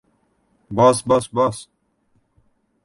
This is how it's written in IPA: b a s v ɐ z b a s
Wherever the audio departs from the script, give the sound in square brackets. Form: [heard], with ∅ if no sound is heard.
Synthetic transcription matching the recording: b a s [b] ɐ [s] b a s